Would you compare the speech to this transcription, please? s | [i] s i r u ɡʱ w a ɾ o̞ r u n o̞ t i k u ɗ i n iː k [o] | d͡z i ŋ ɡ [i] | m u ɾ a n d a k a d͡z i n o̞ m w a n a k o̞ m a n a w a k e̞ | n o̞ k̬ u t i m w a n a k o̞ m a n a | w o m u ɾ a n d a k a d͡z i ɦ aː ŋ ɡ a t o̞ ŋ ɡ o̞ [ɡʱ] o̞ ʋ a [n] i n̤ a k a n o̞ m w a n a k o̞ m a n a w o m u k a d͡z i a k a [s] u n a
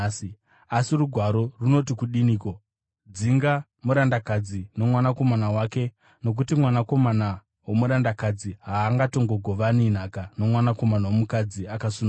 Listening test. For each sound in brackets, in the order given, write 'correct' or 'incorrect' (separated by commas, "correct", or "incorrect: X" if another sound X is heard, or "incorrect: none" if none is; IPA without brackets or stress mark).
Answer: incorrect: a, correct, incorrect: a, correct, correct, correct